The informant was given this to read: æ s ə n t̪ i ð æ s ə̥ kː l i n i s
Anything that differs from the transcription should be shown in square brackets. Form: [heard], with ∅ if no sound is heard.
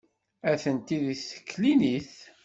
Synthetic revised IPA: æ [θ] ə n t̪ i ð [i] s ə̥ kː l i n i [θ]